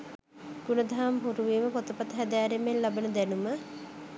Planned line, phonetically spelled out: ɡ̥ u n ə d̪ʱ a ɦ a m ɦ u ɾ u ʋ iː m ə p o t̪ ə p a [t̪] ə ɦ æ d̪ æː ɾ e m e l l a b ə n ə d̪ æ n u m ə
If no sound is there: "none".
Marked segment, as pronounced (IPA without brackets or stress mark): t̪